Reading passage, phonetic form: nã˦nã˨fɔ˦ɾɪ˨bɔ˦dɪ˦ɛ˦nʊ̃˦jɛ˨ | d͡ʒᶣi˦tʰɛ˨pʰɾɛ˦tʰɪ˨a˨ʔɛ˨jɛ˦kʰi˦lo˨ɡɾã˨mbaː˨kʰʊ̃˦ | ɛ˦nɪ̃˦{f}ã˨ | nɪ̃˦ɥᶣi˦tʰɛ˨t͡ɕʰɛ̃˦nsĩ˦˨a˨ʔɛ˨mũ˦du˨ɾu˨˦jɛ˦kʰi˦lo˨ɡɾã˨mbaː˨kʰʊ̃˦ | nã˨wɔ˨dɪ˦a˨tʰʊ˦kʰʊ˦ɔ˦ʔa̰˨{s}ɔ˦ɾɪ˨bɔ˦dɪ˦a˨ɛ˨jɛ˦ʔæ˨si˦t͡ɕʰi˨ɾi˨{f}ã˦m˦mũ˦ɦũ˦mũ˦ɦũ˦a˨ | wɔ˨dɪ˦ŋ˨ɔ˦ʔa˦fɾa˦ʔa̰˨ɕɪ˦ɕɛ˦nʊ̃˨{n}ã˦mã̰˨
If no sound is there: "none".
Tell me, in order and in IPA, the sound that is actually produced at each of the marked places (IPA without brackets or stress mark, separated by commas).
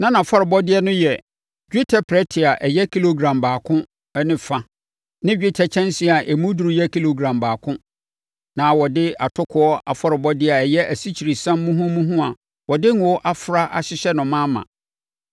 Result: f, f, s, m